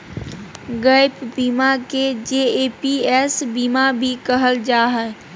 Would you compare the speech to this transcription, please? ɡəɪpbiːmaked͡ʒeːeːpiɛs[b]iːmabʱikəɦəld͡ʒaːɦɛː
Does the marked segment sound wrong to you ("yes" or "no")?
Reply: no